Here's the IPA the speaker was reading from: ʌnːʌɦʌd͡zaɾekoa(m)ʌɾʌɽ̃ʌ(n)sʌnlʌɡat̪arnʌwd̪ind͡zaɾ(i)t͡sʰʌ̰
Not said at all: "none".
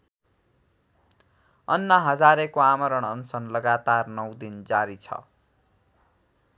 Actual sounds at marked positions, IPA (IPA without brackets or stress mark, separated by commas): m, n, i